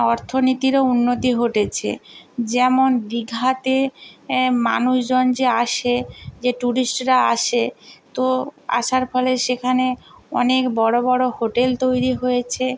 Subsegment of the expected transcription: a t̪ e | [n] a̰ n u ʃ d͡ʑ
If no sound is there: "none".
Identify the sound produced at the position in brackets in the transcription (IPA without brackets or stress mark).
m